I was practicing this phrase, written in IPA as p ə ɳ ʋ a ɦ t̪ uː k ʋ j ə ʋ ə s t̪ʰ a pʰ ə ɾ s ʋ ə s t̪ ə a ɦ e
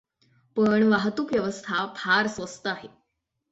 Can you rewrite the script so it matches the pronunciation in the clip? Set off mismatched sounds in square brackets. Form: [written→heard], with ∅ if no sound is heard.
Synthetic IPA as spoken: p ə ɳ ʋ a ɦ t̪ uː k ʋ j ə ʋ ə s t̪ʰ a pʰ [ə→a] ɾ s ʋ ə s t̪ ə a ɦ e